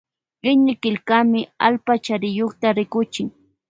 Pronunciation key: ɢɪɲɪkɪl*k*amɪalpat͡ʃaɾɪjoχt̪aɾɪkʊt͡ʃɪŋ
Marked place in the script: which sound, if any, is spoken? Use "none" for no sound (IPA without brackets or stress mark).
k